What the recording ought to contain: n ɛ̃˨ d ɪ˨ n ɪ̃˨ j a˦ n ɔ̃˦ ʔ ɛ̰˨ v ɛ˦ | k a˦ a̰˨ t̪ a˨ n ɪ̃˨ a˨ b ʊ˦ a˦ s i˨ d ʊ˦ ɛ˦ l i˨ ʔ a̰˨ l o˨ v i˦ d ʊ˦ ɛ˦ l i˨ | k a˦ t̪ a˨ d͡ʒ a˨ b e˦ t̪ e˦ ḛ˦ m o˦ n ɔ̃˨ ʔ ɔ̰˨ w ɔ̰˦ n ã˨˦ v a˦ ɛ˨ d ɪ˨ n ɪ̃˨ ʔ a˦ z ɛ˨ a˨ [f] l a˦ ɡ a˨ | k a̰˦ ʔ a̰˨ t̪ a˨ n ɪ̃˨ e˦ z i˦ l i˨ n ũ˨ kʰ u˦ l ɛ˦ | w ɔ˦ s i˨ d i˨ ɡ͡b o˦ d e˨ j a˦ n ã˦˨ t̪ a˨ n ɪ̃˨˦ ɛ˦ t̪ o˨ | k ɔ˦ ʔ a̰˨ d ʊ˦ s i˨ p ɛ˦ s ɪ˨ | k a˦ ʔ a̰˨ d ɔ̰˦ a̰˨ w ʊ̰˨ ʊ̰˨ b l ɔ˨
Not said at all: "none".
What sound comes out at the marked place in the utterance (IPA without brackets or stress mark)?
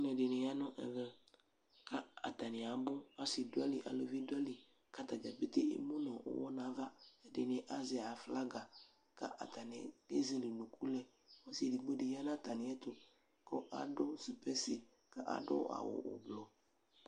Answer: f